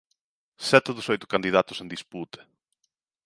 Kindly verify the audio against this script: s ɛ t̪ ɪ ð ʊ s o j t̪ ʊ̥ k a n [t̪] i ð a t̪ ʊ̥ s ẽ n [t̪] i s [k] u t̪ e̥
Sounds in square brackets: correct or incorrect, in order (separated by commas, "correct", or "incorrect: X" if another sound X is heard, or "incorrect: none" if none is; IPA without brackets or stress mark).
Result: incorrect: d̪, incorrect: d̪, incorrect: p